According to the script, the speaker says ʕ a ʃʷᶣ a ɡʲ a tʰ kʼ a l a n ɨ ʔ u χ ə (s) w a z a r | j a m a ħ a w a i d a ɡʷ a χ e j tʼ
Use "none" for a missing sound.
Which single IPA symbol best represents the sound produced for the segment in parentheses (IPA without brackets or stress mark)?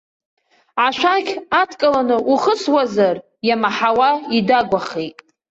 s